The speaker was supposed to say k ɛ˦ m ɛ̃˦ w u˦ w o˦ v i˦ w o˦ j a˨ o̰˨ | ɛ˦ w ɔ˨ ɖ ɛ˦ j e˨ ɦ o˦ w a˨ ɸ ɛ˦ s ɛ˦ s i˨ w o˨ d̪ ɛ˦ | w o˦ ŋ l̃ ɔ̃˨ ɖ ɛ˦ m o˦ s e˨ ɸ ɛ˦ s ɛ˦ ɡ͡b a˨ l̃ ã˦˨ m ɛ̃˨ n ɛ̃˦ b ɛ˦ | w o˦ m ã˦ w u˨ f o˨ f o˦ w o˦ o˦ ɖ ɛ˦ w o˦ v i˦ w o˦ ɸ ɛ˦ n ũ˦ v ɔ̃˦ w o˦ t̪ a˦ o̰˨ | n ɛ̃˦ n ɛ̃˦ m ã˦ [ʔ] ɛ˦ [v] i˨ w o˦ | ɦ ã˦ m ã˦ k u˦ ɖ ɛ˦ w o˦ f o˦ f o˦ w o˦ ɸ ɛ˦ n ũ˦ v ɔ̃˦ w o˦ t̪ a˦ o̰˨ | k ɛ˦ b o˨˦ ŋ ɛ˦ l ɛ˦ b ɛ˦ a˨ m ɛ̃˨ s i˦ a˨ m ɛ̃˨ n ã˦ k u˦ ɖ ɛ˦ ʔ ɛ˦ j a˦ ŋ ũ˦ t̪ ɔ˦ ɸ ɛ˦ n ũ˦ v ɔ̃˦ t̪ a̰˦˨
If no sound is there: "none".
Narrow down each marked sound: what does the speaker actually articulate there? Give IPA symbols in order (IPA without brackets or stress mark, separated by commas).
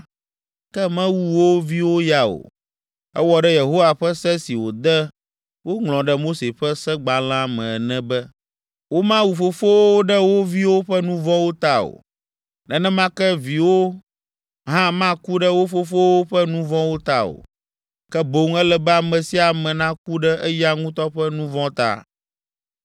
k, v